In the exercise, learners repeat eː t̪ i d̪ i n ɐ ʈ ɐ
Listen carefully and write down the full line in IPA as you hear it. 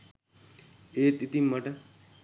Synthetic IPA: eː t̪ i t̪ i m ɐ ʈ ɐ